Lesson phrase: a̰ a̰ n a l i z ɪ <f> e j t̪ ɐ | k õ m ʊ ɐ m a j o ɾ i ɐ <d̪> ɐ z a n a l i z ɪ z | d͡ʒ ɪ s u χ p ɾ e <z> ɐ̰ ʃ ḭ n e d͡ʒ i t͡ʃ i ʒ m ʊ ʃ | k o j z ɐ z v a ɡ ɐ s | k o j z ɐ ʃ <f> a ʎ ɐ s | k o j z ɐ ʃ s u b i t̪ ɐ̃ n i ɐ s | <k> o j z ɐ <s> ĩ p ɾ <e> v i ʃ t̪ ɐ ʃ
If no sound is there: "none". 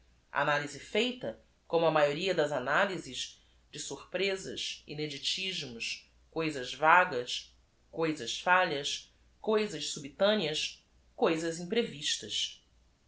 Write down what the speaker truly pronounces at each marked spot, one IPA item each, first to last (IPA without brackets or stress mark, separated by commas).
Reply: f, d̪, z, f, k, z, e